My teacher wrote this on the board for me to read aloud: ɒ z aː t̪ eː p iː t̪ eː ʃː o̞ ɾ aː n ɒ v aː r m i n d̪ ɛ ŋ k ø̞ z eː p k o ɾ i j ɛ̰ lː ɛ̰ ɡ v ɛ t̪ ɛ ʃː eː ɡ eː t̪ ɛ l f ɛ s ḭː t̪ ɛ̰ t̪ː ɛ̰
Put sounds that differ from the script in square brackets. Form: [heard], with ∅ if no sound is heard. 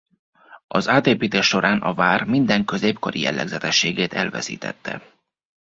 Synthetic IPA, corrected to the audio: ɒ z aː t̪ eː p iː t̪ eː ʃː o̞ ɾ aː n ɒ v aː r m i n d̪ ɛ ŋ k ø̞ z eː p k o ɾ i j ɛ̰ lː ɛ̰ ɡ [z] ɛ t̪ ɛ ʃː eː ɡ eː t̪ ɛ l [v] ɛ s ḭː t̪ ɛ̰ t̪ː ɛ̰